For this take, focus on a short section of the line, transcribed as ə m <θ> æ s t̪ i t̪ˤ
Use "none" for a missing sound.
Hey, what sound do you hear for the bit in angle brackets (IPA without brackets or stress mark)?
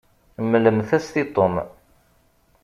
θ